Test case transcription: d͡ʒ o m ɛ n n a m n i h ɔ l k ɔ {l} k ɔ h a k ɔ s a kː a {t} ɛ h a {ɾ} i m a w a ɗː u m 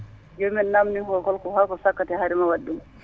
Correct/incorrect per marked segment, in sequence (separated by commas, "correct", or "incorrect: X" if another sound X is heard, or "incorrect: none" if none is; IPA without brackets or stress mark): correct, correct, correct